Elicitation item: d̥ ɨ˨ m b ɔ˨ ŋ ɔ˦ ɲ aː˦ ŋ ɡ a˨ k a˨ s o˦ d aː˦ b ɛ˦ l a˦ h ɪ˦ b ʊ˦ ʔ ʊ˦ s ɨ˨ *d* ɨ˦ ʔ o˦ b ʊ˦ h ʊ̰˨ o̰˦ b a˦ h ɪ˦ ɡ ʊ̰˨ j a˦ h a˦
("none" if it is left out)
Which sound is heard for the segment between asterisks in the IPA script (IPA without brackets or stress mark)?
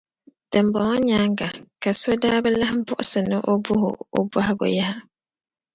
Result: n